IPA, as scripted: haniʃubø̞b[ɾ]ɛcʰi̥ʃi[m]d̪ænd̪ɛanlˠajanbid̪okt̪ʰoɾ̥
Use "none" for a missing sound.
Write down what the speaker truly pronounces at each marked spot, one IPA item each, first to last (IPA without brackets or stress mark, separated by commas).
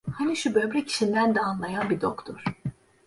ɾ, n